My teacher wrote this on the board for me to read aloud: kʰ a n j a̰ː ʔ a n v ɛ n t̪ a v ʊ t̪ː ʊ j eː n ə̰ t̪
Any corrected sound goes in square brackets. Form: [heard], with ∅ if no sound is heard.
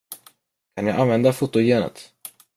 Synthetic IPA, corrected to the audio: kʰ a n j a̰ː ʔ a n v ɛ n [d̪] a [f] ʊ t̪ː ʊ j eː n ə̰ t̪